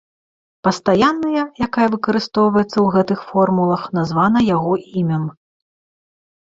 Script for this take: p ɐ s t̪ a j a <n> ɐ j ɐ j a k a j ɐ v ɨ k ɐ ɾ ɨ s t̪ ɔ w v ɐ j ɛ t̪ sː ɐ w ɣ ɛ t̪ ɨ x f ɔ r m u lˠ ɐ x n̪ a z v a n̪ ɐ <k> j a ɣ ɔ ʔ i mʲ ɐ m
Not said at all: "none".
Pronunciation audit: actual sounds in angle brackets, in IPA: nː, none

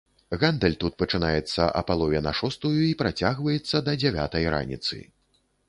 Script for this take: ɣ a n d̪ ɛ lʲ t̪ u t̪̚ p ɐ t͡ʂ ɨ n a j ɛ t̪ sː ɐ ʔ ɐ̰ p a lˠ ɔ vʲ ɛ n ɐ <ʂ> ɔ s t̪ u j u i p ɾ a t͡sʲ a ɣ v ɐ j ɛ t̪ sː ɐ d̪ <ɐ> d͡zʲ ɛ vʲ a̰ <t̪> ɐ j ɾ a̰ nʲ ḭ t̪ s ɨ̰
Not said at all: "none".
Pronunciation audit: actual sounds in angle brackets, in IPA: ʂ, ɐ, t̪

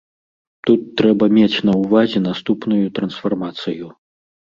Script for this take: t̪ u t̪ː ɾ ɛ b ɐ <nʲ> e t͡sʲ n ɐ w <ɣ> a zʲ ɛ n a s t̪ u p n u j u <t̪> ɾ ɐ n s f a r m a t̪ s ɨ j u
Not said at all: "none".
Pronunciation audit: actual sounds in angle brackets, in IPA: mʲ, v, t̪

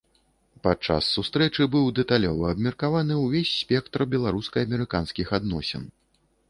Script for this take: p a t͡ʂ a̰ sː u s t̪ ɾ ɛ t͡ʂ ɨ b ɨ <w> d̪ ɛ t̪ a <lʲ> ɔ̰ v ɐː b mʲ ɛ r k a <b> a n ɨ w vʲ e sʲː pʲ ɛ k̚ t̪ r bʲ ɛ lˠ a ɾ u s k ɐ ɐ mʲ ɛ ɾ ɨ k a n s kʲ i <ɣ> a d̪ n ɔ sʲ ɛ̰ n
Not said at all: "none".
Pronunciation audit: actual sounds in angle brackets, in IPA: w, lʲ, v, x

